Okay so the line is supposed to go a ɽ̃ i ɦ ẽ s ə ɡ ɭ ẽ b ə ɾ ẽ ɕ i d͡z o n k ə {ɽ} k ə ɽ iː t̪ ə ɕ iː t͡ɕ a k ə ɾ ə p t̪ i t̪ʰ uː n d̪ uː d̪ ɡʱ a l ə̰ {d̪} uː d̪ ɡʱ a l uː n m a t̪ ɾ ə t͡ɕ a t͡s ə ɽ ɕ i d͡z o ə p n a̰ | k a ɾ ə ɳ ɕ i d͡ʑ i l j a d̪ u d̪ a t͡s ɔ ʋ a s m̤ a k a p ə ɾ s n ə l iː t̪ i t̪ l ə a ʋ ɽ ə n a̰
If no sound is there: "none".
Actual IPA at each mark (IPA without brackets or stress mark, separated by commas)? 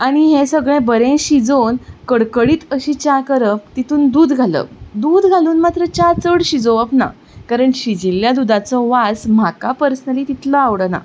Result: ɽ, d̪